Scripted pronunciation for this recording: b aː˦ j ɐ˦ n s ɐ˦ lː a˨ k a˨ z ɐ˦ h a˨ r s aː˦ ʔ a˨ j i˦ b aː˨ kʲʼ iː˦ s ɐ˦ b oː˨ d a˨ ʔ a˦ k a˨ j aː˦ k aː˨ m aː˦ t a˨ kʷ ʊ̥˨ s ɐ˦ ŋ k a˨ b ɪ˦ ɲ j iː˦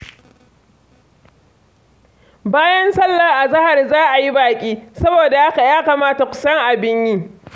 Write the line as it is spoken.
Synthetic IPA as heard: b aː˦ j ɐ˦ n s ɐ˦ lː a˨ ʔ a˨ z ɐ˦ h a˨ r z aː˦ ʔ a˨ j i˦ b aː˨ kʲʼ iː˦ s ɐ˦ b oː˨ d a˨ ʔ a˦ k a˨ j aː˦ k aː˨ m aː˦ t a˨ kʷ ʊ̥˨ s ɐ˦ ŋ ʔ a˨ b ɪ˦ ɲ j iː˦